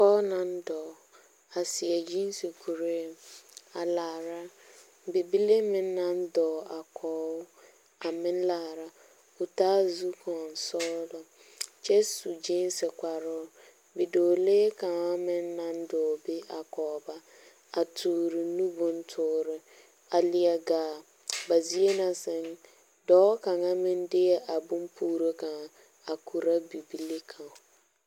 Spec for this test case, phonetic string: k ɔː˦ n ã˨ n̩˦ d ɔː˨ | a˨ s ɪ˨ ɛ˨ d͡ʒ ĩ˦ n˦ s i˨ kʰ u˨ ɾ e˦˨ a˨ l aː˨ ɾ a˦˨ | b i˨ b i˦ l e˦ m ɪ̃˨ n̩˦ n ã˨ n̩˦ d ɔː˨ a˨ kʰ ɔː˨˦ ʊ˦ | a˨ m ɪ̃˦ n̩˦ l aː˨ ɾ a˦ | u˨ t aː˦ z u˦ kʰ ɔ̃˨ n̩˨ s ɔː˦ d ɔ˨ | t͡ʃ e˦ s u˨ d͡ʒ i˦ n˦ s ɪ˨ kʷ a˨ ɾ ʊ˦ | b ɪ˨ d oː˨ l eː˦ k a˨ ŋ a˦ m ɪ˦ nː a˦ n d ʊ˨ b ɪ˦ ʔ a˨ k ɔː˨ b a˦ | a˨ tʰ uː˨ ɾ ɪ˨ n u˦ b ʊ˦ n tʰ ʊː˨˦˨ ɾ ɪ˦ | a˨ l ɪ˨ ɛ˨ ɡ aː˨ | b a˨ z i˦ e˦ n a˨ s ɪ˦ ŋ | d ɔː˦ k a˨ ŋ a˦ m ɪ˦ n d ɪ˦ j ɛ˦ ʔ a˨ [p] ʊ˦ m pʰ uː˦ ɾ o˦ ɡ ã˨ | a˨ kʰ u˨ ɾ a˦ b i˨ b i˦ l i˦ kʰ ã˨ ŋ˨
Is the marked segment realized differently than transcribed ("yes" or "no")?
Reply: yes